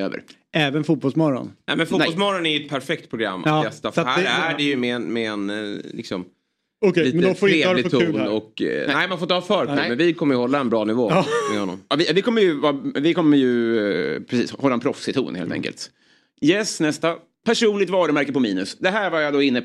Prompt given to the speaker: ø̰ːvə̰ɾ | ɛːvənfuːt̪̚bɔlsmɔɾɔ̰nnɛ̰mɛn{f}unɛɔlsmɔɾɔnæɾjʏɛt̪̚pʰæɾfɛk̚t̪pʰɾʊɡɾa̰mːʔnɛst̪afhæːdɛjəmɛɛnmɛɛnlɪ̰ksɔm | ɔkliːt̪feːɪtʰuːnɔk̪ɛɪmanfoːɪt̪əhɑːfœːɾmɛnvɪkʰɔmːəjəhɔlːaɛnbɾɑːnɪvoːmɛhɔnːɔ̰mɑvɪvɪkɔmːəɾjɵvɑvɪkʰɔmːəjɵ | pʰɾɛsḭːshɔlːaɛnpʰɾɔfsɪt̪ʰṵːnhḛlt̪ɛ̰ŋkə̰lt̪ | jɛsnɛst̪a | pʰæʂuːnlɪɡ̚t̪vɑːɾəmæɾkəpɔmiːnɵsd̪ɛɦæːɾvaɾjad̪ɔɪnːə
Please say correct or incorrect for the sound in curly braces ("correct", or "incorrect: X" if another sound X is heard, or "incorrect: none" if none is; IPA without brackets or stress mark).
correct